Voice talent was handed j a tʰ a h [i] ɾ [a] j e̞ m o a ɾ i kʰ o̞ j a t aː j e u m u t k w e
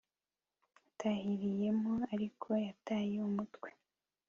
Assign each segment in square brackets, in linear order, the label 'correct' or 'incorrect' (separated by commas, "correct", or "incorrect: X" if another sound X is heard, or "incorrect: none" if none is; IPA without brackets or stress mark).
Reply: correct, incorrect: i